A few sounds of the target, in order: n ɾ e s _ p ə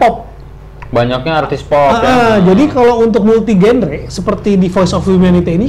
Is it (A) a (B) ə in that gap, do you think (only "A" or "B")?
B